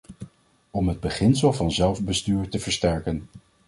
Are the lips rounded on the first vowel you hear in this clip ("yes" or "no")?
yes